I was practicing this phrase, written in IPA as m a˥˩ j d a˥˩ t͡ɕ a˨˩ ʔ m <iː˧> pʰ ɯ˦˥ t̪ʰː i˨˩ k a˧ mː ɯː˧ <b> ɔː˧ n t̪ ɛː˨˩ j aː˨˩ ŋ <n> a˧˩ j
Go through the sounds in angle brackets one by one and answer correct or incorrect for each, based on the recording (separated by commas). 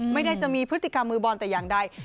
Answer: correct, correct, incorrect